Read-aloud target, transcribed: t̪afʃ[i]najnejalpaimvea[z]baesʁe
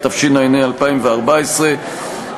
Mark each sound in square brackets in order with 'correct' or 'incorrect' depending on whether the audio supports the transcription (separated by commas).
correct, incorrect